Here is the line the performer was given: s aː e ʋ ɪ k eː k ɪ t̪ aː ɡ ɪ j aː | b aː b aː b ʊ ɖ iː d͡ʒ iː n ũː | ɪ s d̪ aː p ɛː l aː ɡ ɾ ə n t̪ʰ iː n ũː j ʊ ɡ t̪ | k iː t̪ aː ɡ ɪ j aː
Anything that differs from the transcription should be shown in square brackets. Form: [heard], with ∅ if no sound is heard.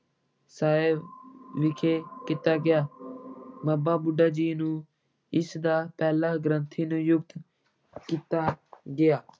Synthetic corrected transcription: s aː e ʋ ɪ [kʰ] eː k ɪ t̪ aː ɡ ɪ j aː | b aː b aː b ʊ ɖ [aː] d͡ʒ iː n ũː | ɪ s d̪ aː p ɛː l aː ɡ ɾ ə n t̪ʰ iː n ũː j ʊ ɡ t̪ | k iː t̪ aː ɡ ɪ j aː